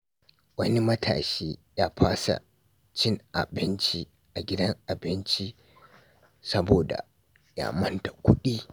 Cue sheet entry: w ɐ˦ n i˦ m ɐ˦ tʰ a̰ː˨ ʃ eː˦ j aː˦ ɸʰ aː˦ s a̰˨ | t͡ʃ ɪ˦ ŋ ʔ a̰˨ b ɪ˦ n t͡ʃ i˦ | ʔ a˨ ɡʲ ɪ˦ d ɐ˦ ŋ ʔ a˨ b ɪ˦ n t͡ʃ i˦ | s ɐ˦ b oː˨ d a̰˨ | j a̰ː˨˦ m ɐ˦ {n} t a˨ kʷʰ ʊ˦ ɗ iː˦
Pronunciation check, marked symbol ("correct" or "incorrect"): correct